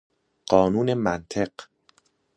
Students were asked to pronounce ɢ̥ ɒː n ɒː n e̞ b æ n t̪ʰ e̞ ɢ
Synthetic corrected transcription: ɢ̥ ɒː n uː n e̞ m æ n t̪ʰ e̞ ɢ